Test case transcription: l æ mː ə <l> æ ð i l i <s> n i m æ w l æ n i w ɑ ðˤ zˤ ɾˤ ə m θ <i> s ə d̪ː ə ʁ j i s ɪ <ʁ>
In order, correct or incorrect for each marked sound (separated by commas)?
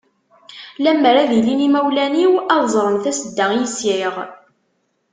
incorrect, incorrect, incorrect, correct